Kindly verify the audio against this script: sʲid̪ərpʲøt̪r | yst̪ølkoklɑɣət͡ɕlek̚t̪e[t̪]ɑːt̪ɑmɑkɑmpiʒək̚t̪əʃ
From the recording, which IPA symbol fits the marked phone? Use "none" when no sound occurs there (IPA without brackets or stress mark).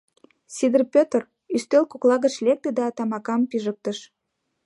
d̪